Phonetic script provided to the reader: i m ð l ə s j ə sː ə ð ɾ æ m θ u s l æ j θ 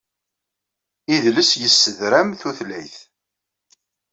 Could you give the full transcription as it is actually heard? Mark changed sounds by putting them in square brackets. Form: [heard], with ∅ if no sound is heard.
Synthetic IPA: i [∅] ð l ə s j ə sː ə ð ɾ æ m θ u [θ] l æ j θ